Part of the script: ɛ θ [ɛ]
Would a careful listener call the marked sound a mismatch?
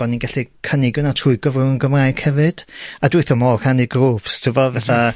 yes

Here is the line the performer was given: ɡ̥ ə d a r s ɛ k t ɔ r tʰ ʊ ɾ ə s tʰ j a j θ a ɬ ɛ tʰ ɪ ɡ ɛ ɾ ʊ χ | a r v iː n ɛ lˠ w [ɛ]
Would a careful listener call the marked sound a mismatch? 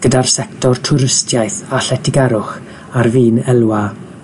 yes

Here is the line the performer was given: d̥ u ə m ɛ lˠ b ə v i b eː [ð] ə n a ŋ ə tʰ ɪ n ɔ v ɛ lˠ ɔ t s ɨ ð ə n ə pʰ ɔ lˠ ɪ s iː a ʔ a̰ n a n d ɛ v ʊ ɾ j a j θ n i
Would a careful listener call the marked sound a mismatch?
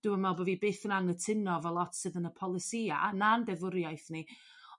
yes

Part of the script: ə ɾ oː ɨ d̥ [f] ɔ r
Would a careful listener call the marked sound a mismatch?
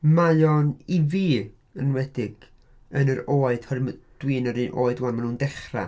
yes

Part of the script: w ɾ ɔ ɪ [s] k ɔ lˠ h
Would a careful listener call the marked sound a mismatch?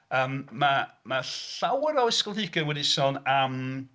no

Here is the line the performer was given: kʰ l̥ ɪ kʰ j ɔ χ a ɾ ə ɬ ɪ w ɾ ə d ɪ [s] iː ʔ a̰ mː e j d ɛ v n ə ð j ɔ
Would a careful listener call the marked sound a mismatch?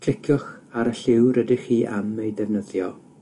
yes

